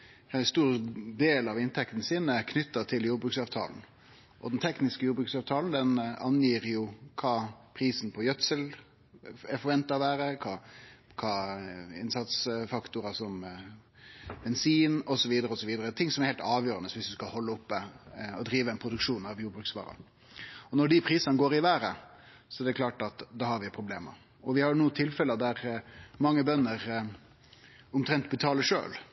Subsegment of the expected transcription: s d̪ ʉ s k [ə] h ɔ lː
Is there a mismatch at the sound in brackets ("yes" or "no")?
yes